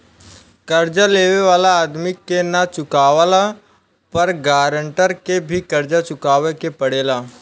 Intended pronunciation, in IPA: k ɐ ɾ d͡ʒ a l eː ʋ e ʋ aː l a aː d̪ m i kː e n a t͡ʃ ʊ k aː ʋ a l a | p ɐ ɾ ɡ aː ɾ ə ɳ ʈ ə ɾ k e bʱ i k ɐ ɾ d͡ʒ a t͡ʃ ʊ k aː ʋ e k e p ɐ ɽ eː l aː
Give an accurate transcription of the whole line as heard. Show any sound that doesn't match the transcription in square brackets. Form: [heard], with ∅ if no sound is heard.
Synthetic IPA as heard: k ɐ ɾ d͡ʒ a l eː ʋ e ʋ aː l a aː d̪ m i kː e n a t͡ʃ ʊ k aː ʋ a l a | p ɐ ɾ ɡ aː ɾ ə ɳ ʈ ə ɾ k e bʱ i k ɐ ɾ d͡ʒ a t͡ʃ ʊ k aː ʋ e k e p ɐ ɽ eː l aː